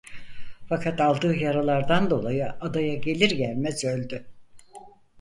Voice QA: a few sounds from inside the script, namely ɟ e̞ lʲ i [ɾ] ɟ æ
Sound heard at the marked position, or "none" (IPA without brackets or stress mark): ɾ